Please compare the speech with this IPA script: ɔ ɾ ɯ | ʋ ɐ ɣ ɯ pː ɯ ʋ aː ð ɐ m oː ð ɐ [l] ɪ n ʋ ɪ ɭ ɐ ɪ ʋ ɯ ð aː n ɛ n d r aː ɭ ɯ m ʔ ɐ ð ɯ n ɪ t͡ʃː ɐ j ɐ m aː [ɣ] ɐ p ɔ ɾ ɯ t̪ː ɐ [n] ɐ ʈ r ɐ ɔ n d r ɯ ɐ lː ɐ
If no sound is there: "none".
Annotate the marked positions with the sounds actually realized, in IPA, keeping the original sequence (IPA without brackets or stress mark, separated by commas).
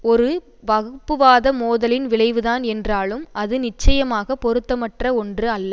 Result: l, ɣ, m